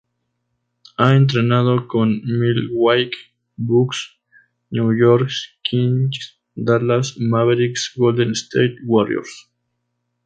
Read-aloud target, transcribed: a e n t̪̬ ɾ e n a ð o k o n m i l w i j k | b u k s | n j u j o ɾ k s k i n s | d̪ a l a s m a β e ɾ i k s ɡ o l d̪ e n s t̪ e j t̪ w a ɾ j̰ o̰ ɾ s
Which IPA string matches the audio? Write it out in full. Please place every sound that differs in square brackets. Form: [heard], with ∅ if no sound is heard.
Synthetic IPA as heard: a e n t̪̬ ɾ e n a ð o k o n m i l w [a] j k | b u k s | n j u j o ɾ k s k i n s | d̪ a l a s m a β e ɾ i k s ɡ o l d̪ e n s t̪ e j t̪ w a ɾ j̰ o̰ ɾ s